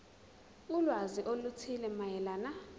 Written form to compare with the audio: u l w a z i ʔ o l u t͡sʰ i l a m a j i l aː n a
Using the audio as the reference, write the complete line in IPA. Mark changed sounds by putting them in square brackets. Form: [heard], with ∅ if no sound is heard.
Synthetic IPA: u l w a z i ʔ o l u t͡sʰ i l [ɛ] m a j [ɛ] l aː n a